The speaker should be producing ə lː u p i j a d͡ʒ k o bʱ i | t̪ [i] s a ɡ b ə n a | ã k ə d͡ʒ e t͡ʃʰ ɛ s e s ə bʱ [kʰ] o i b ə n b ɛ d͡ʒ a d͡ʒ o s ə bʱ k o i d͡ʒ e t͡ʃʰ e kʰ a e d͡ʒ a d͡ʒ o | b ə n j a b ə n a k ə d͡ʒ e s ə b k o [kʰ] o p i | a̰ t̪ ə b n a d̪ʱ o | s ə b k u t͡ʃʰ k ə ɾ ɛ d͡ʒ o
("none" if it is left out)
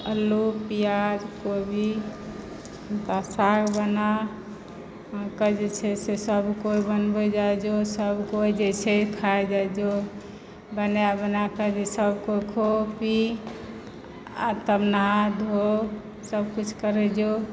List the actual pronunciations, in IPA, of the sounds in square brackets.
a, k, kʰ

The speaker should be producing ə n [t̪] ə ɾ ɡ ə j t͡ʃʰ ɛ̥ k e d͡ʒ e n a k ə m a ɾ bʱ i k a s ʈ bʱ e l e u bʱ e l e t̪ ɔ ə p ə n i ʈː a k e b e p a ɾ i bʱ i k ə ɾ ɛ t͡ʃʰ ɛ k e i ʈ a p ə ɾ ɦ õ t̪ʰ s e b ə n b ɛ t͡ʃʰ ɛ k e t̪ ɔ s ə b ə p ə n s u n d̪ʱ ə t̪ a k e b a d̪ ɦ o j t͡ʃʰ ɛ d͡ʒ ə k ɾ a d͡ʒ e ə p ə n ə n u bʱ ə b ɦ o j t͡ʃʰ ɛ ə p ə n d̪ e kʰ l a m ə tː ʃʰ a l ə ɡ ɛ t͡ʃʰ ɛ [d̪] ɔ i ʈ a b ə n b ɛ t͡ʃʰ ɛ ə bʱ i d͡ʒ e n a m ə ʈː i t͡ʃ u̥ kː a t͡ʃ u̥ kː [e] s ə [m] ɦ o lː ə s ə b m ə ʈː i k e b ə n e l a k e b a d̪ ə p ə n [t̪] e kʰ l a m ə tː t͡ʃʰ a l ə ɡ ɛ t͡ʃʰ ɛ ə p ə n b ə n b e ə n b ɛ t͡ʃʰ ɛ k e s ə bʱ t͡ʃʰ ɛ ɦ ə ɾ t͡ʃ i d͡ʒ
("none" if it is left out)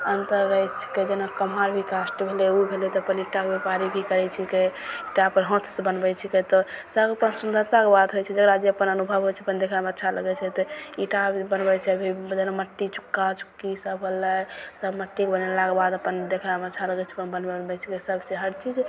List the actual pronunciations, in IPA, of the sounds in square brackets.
t̪, t̪, i, b, d̪

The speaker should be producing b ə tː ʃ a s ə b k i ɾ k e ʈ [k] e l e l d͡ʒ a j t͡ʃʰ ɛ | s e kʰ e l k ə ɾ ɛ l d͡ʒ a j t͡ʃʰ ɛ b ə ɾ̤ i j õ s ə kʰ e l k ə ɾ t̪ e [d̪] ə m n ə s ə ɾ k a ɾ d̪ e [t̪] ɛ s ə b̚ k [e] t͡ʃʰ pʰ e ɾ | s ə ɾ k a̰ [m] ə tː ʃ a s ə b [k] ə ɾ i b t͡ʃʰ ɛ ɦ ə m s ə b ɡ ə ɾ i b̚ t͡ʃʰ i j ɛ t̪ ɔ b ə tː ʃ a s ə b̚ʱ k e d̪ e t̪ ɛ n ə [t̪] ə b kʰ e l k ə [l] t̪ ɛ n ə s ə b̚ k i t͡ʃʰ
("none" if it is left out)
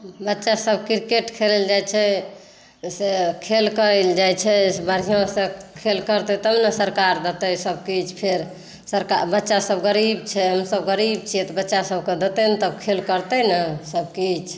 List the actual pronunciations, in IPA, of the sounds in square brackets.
kʰ, t̪, t̪, i, b, ɡ, t̪, ɾ

